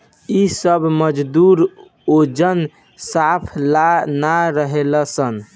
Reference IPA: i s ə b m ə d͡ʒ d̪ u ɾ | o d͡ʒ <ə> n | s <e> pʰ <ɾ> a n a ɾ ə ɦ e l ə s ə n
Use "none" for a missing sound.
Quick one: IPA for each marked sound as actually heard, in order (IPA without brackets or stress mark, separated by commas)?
ə, a, l